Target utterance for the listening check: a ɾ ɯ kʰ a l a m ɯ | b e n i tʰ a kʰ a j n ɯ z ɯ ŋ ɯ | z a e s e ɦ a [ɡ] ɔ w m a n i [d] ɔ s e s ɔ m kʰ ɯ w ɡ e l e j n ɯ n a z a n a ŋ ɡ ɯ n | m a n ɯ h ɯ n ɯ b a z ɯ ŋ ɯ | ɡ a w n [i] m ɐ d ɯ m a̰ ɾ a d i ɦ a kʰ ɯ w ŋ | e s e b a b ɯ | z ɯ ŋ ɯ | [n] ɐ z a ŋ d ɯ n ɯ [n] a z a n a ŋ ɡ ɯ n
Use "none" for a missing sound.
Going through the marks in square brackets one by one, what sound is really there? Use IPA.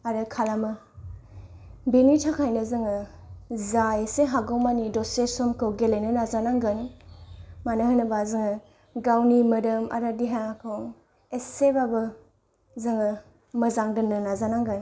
ɡ, d, i, m, n

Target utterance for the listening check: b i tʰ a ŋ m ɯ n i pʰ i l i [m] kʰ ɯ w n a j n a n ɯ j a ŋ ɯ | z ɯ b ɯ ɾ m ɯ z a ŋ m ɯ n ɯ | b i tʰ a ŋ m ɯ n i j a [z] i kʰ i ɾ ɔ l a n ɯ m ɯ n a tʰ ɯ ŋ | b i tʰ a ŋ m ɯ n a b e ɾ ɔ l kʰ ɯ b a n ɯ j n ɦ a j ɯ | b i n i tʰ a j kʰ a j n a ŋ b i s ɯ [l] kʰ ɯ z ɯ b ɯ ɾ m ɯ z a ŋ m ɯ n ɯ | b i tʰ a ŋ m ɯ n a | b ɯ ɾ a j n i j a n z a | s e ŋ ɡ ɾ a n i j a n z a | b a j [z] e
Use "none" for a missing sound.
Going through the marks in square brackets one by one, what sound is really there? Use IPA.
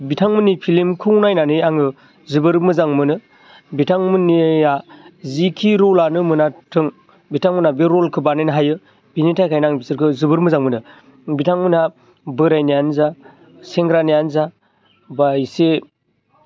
m, z, ɾ, s

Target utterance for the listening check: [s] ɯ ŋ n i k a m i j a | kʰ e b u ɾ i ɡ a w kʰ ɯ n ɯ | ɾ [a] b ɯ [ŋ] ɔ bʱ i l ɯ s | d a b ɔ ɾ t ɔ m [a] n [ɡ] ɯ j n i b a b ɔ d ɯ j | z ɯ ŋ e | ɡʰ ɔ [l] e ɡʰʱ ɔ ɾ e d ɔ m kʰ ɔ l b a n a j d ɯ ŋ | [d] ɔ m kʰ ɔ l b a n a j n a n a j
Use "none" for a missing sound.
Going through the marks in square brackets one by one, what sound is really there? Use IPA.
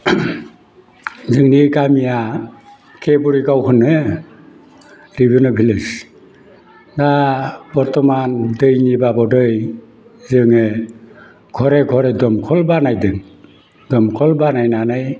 z, i, n, a, d, ɾ, d

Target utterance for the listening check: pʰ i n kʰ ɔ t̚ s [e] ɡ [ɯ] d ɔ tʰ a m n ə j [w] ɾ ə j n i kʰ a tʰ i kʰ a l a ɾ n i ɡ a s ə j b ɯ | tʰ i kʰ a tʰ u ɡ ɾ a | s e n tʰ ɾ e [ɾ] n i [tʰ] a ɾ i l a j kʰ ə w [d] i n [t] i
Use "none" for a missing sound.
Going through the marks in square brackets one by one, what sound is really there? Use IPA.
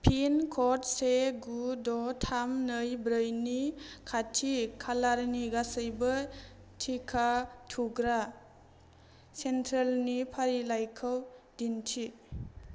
e, u, b, l, pʰ, d, tʰ

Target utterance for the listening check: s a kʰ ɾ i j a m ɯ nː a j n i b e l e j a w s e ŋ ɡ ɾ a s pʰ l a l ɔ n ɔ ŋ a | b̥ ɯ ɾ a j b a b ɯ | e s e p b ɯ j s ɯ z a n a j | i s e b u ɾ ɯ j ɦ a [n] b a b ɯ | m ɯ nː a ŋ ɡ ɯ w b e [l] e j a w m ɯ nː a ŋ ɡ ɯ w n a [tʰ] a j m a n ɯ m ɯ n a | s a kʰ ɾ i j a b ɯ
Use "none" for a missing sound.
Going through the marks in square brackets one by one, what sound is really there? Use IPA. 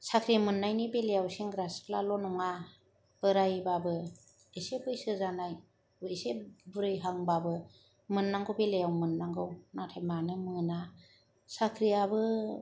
ŋ, l, tʰ

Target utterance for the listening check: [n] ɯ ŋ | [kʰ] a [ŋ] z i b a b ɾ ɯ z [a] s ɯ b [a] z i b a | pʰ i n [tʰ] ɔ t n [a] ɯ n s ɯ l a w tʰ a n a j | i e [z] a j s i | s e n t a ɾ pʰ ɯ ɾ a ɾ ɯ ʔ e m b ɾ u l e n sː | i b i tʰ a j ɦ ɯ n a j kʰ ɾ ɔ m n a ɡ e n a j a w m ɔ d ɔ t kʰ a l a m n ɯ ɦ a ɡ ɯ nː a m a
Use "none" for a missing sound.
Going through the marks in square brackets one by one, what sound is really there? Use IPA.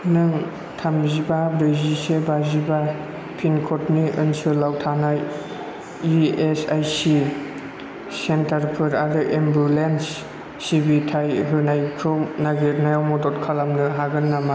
n, tʰ, m, i, a, kʰ, i, s

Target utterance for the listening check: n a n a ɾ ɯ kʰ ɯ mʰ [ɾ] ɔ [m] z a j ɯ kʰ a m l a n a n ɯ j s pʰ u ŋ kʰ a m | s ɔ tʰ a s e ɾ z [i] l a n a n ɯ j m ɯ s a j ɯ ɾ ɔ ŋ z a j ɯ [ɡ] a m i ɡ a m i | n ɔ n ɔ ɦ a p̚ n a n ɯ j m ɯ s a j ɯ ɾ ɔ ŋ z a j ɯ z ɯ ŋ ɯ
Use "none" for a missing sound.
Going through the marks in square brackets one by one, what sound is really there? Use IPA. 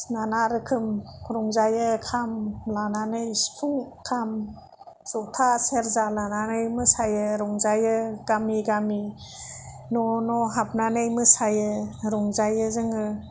ɾ, ŋ, a, ɡ

